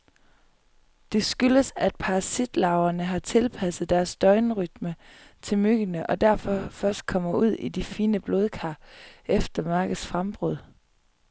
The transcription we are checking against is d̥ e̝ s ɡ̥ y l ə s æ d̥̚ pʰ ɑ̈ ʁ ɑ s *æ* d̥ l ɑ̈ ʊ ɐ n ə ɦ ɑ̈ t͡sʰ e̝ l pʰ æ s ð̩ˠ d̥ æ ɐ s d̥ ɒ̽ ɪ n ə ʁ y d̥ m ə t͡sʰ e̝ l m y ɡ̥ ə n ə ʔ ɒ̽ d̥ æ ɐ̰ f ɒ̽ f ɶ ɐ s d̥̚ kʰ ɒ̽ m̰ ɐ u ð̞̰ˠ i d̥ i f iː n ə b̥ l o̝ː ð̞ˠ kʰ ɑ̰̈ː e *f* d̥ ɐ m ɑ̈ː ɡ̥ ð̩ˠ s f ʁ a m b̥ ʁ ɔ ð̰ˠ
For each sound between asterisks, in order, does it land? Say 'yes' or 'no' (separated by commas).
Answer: no, yes